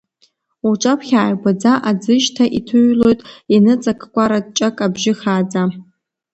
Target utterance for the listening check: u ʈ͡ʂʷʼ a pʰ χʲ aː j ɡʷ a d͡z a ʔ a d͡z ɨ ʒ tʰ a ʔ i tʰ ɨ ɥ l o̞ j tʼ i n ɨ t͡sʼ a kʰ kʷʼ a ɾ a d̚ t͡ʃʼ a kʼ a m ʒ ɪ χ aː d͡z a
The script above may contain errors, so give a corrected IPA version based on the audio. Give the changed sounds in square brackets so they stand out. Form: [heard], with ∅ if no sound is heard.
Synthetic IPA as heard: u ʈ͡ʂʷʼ a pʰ χʲ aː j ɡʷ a d͡z a ʔ a d͡z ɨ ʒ tʰ a ʔ i tʰ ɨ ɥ l o̞ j tʼ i n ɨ t͡sʼ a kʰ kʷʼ a ɾ a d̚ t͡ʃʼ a kʼ a [b] ʒ ɪ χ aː d͡z a